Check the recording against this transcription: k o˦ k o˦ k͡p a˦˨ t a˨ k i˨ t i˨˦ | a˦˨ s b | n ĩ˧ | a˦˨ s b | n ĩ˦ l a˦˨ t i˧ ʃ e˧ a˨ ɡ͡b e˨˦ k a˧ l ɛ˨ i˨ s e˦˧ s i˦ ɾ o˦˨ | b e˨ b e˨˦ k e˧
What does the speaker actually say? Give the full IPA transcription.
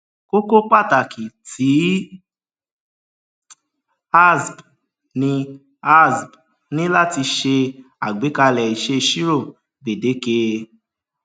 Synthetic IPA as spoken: k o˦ k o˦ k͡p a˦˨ t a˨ k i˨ t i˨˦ | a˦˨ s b | n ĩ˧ | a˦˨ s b | n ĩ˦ l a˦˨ t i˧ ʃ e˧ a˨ ɡ͡b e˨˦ k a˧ l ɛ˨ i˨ ʃ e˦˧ ʃ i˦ ɾ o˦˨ | b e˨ d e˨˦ k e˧